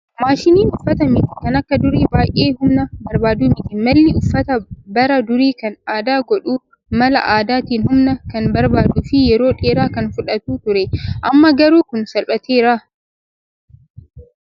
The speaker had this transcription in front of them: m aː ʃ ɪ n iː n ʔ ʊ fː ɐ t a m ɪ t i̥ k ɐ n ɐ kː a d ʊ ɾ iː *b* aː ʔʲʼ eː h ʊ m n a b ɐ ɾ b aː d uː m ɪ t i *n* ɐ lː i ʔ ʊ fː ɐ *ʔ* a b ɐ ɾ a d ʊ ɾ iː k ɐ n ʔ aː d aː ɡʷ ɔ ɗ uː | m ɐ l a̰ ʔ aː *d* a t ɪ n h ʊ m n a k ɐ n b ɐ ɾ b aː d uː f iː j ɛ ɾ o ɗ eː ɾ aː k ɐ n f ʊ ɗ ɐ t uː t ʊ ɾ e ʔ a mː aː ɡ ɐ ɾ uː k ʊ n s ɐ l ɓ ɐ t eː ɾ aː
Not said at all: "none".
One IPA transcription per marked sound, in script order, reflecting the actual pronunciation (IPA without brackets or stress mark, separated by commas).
b, m, t, d